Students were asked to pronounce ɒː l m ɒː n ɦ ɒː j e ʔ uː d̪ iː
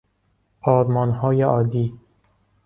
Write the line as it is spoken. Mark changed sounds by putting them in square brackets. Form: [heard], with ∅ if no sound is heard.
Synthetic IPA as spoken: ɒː [ɾ] m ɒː n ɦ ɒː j e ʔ [ɒː] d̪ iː